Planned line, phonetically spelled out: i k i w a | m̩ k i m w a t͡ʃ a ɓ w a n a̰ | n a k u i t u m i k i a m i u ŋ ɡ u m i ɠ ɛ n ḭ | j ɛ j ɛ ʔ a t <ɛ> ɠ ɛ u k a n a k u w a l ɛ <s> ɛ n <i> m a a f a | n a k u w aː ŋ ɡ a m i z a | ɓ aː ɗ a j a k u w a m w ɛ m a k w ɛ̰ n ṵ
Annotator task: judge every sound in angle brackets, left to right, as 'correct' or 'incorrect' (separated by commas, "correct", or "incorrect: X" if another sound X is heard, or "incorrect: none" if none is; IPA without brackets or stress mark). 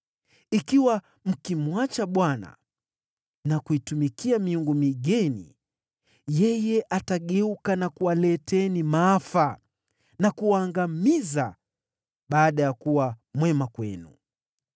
incorrect: a, incorrect: t, correct